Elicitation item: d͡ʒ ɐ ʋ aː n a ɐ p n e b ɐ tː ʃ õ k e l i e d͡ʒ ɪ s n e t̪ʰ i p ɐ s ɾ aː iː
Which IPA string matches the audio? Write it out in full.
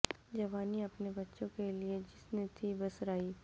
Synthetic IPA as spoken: d͡ʒ ɐ ʋ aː n i ɐ p n e b ɐ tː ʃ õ k e l i e d͡ʒ ɪ s n e t̪ʰ i b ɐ s ɾ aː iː